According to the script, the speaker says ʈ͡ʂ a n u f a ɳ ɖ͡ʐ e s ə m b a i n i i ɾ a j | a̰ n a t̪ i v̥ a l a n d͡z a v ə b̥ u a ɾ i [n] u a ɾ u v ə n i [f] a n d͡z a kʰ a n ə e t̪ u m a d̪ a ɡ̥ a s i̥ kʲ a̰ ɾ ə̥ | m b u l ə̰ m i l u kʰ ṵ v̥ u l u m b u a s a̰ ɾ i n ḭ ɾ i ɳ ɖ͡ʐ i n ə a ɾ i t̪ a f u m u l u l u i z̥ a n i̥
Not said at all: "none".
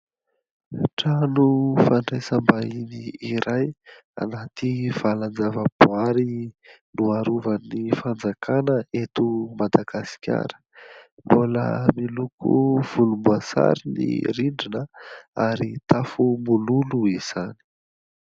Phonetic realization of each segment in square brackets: n, f

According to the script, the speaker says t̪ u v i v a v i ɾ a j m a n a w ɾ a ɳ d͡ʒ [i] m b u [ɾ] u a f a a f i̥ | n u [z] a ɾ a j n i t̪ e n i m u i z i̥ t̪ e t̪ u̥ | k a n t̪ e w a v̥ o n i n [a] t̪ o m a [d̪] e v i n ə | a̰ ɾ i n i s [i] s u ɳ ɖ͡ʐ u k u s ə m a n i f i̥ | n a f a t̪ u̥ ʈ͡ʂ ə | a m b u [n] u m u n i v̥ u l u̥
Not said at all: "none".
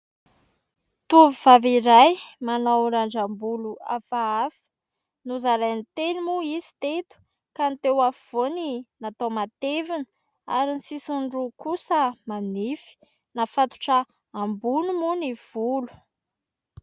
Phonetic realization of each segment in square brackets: a, l, z, a, t̪, i, n

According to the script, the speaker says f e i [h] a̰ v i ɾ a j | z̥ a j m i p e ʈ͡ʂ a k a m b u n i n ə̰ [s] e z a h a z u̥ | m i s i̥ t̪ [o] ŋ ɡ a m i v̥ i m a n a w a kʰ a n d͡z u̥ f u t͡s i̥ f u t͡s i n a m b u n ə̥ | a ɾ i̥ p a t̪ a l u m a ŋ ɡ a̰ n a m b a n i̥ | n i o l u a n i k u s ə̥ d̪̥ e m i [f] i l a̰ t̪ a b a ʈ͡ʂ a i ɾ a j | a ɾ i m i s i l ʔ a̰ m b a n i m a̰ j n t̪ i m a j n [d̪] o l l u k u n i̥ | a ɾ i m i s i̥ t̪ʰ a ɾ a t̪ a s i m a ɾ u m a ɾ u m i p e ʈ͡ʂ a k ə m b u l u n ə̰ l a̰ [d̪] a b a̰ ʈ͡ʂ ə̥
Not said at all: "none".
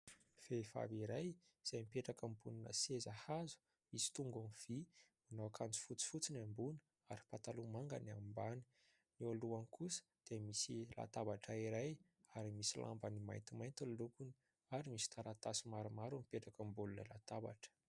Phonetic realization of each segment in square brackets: f, s, u, s, t̪, t̪

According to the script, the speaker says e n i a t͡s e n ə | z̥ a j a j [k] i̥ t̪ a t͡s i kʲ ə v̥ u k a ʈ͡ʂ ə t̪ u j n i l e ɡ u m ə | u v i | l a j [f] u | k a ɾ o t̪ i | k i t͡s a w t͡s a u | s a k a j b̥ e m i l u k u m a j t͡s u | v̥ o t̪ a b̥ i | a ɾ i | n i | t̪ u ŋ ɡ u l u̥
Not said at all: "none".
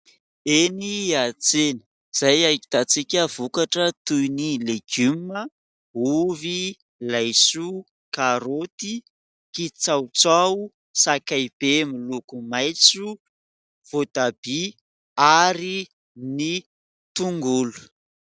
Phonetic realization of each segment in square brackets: k, s

